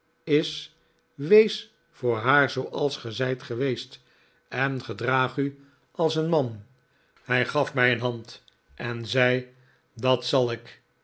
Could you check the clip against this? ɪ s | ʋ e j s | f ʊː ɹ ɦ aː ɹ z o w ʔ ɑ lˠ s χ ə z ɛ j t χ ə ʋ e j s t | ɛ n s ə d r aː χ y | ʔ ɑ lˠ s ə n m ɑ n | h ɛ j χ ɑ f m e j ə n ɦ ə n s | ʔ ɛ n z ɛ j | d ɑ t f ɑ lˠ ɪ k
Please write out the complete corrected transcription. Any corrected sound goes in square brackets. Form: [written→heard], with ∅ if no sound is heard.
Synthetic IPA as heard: ɪ s | ʋ e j s | f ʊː ɹ ɦ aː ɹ z o w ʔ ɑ lˠ s χ ə z ɛ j t χ ə ʋ e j s t | ɛ n [s→χ] ə d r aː χ y | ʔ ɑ lˠ s ə n m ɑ n | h ɛ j χ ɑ f m [e→ɛ] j ə n ɦ [ə→ɑ] n [s→t] | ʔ ɛ n z ɛ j | d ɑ t [f→s] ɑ lˠ ɪ k